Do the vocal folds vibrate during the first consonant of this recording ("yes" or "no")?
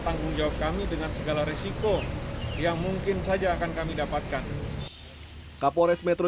no